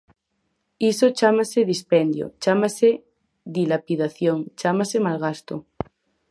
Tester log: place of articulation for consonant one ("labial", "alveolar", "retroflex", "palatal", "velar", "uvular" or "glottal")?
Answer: alveolar